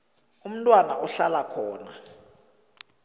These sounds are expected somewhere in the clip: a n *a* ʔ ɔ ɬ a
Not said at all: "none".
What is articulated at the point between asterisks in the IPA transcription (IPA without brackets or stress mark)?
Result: a